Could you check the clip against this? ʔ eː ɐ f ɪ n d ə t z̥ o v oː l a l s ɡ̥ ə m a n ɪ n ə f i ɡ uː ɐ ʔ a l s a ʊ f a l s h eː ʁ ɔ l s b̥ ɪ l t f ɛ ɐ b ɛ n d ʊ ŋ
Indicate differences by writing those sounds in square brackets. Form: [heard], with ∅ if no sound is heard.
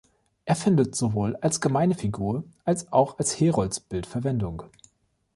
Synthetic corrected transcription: ʔ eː ɐ f ɪ n d ə t z̥ o v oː l a l s ɡ̥ ə m a [∅] ɪ n ə f i ɡ uː ɐ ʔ a l s a ʊ [x] a l s h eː ʁ ɔ l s b̥ ɪ l t f ɛ ɐ [v] ɛ n d ʊ ŋ